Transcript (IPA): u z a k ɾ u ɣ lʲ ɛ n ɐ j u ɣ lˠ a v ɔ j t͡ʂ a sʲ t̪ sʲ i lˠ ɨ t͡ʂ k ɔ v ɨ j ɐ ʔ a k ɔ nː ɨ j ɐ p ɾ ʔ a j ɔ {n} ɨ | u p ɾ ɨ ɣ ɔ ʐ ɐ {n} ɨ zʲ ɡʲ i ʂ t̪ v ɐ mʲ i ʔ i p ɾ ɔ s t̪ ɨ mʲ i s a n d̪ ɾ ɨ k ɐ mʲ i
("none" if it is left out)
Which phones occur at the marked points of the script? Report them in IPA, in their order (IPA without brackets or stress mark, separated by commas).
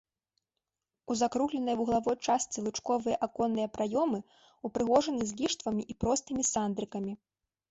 m, n